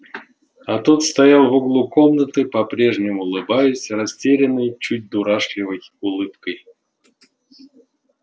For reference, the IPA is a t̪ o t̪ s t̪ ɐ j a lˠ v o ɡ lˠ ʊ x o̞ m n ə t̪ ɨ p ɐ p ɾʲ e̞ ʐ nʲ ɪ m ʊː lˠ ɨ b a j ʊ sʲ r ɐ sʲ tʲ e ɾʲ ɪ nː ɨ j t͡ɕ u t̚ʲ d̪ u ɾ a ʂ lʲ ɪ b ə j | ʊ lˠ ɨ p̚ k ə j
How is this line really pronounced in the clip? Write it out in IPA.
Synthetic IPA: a t̪ o t̪ s t̪ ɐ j a lˠ v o ɡ lˠ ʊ k o̞ m n ə t̪ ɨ p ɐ p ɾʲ e̞ ʐ nʲ ɪ m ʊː lˠ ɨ b a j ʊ sʲ r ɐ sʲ tʲ e ɾʲ ɪ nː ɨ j t͡ɕ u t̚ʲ d̪ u ɾ a ʂ lʲ ɪ v ə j | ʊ lˠ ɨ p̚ k ə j